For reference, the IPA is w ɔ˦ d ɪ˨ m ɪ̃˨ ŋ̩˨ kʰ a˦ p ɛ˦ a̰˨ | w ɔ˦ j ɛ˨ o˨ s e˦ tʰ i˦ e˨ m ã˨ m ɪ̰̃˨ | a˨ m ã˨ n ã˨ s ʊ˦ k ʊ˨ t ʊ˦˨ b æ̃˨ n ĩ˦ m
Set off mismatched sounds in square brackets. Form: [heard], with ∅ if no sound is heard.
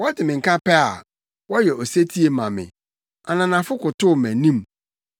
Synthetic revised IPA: w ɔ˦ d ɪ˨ m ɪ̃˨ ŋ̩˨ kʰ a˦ p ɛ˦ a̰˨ | w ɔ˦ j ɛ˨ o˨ s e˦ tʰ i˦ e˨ m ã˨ m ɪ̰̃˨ | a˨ [n] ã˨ n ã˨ [f] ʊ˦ k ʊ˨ t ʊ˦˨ [m] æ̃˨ n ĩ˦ m

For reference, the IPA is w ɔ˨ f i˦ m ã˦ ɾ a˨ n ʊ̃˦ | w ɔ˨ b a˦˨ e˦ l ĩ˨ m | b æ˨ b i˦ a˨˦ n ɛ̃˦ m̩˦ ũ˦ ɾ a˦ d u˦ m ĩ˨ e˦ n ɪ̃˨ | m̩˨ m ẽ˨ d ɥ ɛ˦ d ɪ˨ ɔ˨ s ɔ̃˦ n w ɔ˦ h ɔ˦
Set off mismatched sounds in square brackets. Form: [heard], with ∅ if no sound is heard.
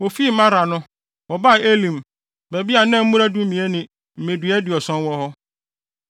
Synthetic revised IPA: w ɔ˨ f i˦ m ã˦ ɾ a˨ n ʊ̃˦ | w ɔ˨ b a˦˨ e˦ l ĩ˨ m | b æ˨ b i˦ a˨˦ n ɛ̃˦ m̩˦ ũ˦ ɾ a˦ d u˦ m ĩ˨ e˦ n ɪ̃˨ | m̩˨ m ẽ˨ d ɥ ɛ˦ d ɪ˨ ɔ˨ s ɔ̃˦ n w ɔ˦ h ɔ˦

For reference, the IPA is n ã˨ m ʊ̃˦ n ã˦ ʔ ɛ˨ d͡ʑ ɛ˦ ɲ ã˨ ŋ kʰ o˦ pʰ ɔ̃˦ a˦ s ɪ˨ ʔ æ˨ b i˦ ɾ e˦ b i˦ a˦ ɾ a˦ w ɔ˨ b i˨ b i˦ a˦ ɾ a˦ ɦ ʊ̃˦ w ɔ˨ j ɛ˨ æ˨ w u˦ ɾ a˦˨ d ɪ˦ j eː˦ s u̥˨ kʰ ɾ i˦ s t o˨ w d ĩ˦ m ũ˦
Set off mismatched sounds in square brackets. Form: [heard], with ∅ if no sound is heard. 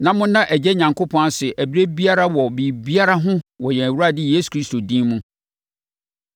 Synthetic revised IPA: n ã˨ m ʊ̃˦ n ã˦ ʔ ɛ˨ d͡ʑ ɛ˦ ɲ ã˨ ŋ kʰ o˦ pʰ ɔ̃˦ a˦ s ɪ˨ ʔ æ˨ b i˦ ɾ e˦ b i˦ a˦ ɾ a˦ w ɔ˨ b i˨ b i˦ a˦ ɾ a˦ ɦ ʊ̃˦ w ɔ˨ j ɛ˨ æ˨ w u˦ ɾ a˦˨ d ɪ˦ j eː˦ s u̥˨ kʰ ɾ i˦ s t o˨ [∅] d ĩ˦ m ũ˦

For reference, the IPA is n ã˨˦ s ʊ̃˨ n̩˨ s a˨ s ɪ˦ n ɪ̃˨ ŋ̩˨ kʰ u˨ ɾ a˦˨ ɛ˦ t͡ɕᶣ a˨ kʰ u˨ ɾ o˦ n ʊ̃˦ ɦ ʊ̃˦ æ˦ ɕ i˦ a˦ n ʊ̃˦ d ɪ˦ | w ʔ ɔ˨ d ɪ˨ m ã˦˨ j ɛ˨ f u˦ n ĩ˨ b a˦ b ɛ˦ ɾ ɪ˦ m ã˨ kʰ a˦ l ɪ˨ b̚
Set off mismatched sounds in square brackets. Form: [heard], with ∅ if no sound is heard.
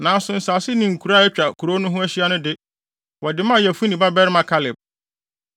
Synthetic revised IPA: n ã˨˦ s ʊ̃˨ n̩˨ s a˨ s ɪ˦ n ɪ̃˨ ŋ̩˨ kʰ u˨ ɾ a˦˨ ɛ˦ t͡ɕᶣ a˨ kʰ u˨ ɾ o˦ n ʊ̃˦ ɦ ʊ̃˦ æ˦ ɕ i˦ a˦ n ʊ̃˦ d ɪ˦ | w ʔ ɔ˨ d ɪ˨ m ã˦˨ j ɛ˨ f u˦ n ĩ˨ b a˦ b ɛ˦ ɾ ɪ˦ m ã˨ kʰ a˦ l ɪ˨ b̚

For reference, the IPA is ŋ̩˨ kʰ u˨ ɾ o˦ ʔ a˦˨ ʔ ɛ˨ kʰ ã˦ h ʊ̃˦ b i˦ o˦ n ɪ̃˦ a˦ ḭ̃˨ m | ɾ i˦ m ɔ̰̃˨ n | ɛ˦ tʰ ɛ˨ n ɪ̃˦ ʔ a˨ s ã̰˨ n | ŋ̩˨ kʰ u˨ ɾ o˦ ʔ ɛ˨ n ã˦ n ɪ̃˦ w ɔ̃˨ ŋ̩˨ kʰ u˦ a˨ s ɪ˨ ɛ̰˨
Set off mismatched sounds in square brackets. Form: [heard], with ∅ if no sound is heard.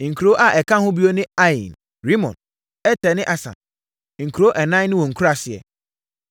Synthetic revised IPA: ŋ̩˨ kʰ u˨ ɾ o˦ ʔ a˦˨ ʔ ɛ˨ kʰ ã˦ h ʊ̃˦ b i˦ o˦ n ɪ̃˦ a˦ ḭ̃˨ [n] | ɾ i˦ m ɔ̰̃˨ n | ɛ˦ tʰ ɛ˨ n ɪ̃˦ ʔ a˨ s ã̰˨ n | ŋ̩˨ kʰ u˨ ɾ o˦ ʔ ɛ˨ n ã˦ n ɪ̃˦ w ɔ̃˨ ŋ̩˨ kʰ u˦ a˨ s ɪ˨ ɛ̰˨

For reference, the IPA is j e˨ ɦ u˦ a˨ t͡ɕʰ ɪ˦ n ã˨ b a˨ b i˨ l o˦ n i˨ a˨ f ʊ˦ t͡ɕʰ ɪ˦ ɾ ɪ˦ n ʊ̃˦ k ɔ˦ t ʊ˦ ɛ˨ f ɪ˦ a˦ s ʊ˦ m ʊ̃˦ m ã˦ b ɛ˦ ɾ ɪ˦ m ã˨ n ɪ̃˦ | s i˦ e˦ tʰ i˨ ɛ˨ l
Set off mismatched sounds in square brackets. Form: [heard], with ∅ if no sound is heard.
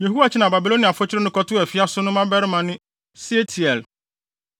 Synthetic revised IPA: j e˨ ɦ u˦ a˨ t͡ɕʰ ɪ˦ n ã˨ b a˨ b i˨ l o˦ n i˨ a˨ f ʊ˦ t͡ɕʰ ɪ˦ ɾ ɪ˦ n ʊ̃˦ k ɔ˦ t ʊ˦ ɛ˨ f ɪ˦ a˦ s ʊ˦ [n] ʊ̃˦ m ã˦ b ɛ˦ ɾ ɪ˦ m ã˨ n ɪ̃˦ | s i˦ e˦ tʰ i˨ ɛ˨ l

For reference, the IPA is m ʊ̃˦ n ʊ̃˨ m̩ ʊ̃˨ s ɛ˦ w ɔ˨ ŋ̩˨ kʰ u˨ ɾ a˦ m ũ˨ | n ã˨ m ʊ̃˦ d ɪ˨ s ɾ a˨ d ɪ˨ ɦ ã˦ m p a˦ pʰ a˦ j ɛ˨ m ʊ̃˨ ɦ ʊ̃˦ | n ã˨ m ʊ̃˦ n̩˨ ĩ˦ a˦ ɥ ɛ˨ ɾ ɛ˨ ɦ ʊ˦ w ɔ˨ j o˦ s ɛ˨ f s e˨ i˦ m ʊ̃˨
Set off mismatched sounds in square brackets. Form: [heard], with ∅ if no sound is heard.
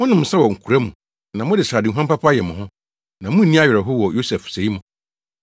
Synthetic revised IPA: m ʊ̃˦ n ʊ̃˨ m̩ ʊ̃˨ s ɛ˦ w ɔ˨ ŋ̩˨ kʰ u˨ ɾ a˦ m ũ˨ | n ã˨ m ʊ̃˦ d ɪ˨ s ɾ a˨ d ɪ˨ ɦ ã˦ m p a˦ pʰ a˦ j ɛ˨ m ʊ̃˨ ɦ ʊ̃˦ | n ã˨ m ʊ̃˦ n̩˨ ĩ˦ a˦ ɥ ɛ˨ ɾ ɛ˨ ɦ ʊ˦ w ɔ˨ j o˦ s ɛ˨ f s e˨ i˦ m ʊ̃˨

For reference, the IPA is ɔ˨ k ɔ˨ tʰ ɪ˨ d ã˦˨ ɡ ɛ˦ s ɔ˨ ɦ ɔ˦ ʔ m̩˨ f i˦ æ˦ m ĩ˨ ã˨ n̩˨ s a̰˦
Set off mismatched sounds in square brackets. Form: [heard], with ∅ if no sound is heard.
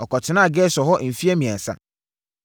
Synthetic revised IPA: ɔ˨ k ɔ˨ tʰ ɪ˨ [n] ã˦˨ ɡ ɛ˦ s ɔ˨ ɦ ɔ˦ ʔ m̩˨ f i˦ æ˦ m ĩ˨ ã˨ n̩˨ s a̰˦

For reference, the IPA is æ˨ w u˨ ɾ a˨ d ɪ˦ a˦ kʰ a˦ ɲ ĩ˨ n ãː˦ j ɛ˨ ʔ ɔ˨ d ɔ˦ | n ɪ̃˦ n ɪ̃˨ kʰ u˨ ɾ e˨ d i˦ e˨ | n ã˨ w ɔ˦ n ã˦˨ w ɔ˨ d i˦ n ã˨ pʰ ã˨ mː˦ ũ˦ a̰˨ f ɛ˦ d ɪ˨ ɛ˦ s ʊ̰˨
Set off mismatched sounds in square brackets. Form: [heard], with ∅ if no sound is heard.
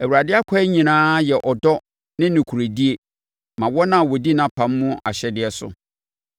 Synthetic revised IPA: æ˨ w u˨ ɾ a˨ d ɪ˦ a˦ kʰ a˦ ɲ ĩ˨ n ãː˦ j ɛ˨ ʔ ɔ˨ d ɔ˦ | n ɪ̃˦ n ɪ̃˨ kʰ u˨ ɾ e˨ d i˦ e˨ | [m] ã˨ w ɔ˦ n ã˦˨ w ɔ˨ d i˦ n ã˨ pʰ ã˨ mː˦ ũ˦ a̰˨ [ɕ] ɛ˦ d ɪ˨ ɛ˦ s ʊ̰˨

